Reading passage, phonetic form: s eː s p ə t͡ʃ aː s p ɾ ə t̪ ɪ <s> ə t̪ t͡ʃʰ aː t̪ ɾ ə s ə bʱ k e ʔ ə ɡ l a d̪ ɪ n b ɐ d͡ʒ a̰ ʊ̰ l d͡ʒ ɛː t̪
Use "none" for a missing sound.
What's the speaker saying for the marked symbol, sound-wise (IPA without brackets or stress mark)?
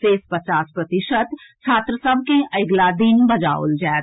ʃ